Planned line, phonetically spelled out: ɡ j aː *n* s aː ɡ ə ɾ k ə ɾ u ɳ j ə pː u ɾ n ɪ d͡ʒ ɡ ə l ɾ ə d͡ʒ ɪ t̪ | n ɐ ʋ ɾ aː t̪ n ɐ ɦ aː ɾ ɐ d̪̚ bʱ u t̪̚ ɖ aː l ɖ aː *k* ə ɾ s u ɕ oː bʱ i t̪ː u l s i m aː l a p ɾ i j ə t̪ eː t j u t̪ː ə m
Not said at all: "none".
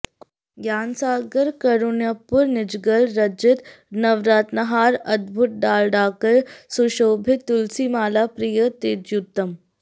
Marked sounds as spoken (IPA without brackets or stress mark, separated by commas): n, k